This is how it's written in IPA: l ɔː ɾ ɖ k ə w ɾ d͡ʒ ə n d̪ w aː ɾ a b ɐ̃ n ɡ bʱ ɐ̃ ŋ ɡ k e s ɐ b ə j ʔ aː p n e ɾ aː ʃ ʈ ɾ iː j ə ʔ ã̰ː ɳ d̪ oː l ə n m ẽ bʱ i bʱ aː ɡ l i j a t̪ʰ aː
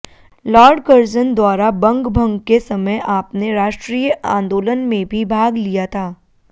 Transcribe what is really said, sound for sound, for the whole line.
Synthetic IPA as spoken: l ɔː ɾ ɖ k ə ɾ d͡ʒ ə n d̪ w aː ɾ a b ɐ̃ ŋ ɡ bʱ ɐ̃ ŋ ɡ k e s ɐ m ə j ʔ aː p n e ɾ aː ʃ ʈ ɾ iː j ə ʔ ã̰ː n d̪ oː l ə n m ẽ bʱ i bʱ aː ɡ l i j a t̪ʰ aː